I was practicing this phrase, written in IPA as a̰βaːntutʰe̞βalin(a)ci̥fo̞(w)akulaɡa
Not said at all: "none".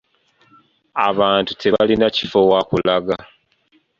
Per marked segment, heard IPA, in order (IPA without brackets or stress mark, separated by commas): a, w